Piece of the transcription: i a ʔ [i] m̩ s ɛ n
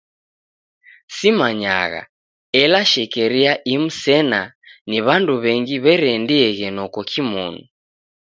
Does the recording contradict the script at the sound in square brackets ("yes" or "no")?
no